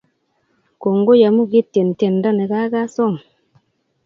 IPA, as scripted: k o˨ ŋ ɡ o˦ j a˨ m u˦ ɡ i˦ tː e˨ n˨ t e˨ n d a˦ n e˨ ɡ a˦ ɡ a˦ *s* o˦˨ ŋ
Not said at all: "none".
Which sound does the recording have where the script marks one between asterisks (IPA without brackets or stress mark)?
s